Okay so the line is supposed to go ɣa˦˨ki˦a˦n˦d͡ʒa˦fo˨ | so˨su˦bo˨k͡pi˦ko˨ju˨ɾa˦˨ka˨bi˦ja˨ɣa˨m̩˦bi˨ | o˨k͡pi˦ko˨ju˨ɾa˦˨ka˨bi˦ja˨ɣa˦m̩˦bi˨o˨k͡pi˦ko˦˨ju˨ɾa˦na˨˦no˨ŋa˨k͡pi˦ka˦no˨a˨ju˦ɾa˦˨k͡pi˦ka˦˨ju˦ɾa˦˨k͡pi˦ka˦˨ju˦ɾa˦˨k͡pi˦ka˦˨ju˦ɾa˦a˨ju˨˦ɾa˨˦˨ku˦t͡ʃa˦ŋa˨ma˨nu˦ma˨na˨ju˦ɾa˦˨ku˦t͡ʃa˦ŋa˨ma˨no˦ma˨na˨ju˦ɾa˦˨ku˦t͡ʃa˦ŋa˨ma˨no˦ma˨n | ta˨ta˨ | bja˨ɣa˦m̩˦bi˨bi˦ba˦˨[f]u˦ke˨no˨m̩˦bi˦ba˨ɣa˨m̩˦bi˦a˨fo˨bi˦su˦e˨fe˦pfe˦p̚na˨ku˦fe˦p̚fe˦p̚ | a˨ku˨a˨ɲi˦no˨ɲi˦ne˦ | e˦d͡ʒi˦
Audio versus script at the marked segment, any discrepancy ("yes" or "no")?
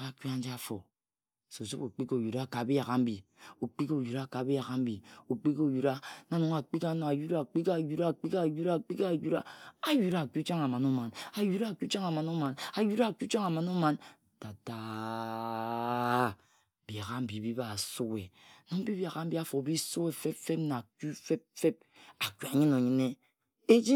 yes